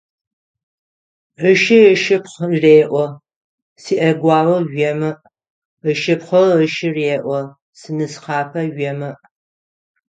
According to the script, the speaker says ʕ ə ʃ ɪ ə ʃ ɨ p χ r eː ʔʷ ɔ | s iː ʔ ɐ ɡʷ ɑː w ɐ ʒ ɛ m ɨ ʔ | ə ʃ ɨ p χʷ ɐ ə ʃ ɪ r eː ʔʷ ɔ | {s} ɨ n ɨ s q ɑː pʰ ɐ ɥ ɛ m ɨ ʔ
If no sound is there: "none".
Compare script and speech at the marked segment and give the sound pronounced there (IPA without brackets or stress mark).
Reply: s